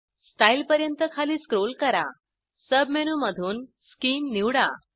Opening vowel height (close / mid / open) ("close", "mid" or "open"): open